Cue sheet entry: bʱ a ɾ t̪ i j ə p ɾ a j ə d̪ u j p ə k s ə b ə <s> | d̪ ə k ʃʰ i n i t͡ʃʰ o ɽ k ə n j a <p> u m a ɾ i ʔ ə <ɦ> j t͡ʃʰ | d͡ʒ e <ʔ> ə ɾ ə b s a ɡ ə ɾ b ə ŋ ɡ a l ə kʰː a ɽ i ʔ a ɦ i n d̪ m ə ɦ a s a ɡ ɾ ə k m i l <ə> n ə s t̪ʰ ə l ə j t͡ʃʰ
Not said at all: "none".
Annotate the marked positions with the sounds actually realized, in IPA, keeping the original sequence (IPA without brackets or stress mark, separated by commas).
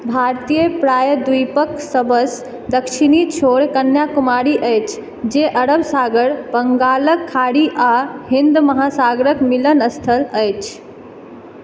s, k, none, ʔ, ə